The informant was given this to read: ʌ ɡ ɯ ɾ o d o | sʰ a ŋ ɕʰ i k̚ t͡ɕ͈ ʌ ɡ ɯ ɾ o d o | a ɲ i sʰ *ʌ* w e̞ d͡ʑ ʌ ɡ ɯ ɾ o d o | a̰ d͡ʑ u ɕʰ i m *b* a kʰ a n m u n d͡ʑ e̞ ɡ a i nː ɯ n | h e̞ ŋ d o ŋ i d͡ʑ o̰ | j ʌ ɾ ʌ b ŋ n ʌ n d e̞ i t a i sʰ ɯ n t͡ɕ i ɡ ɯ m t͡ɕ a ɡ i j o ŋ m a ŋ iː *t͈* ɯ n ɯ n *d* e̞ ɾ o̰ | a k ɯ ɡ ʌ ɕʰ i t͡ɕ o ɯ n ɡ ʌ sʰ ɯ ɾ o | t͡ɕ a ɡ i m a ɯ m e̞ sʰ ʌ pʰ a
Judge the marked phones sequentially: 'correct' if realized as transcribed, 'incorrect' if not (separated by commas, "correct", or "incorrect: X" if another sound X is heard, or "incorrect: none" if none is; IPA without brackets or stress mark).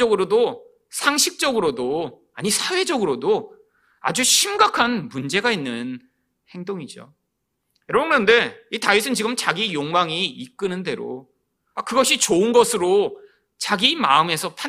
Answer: incorrect: a, incorrect: ɡ, incorrect: k͈, correct